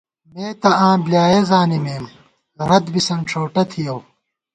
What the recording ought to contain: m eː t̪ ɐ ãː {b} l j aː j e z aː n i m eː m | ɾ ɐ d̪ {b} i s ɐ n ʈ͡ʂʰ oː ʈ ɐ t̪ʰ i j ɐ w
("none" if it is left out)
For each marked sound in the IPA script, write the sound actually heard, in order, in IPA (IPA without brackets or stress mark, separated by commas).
b, b